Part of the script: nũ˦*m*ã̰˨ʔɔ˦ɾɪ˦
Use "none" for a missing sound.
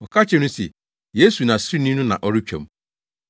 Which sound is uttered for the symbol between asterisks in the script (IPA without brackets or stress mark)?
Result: n